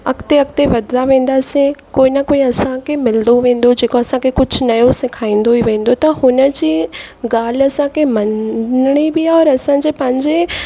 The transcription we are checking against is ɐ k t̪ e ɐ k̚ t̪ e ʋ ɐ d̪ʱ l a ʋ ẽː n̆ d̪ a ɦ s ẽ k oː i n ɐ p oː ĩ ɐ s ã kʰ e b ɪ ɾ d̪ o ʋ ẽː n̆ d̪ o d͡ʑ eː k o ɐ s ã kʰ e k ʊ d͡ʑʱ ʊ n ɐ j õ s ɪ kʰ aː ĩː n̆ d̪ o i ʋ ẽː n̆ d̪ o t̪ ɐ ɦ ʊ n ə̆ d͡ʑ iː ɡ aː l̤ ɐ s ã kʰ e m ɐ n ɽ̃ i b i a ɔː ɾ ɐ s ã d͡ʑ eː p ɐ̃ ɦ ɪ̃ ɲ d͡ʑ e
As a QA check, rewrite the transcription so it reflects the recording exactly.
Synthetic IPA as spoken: ɐ k t̪ e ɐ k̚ t̪ e ʋ ɐ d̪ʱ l a ʋ ẽː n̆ d̪ a s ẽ k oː i n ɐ k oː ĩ ɐ s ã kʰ e m ɪ l d̪ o ʋ ẽː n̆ d̪ o d͡ʑ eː k o ɐ s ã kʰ e k ʊ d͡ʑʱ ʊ n ɐ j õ s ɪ kʰ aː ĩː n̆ d̪ o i ʋ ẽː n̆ d̪ o t̪ ɐ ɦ ʊ n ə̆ d͡ʑ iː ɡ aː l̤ ɐ s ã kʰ e m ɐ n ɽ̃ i b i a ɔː ɾ ɐ s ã d͡ʑ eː p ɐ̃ ɦ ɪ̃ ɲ d͡ʑ e